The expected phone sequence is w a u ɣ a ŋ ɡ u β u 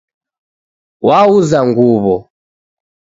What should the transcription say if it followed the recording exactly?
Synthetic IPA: w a u z a ŋ ɡ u β ɔ